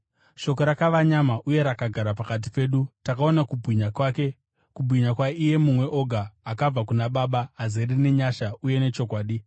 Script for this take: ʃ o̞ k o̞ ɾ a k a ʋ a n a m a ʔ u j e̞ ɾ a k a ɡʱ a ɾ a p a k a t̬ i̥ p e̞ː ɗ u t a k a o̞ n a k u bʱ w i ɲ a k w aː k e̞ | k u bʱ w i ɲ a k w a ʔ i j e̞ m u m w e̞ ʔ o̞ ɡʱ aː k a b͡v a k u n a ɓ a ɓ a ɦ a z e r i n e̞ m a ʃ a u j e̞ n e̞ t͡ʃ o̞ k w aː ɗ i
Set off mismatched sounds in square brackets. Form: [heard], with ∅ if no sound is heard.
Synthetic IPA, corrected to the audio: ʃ o̞ k o̞ ɾ a k a ʋ a [ɲ] a m a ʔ u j e̞ ɾ a k a ɡʱ a ɾ a p a k a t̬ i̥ p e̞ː ɗ u t a k a o̞ n a k u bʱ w i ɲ a k w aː k e̞ | k u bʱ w i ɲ a k w a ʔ i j e̞ m u m w e̞ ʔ o̞ ɡʱ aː k a b͡v a k u n a ɓ a ɓ a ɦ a z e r i n e̞ [ɲ] a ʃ a u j e̞ n e̞ t͡ʃ o̞ k w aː ɗ i